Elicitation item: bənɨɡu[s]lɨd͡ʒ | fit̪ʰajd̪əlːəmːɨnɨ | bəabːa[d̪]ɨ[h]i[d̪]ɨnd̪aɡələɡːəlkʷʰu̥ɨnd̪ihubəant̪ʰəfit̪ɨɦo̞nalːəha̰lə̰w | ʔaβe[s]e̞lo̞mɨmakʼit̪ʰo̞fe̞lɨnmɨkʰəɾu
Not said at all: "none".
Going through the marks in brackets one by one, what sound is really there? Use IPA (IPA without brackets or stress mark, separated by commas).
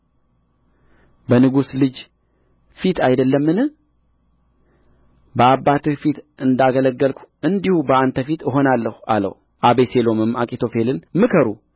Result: s, t̪, f, t̪, s